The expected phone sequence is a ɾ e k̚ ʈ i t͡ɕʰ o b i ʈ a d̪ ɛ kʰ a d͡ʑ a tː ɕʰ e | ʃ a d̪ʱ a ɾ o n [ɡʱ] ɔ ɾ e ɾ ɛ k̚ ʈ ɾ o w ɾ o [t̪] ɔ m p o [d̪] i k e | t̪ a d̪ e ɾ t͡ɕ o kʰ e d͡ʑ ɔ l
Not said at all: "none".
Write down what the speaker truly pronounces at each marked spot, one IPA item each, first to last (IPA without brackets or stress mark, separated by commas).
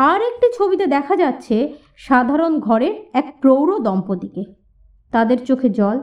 ɡʱ, d̪, d̪